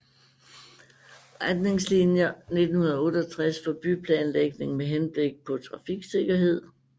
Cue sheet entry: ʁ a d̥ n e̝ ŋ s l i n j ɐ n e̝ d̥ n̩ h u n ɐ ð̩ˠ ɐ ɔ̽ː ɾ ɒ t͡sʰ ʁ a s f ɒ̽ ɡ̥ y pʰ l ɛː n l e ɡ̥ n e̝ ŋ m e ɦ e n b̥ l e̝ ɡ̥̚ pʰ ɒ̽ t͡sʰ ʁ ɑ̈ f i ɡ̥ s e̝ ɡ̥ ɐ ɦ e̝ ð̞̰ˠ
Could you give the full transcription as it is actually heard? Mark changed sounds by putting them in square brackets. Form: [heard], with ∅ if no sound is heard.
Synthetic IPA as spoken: ʁ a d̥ n e̝ ŋ s l i n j ɐ n e̝ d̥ n̩ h u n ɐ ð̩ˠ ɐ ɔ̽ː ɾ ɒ t͡sʰ ʁ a s f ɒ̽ [b̥] y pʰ l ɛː n l e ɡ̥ n e̝ ŋ m e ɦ e n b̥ l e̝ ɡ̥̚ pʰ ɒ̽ t͡sʰ ʁ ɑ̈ f i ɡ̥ s e̝ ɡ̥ ɐ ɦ e̝ ð̞̰ˠ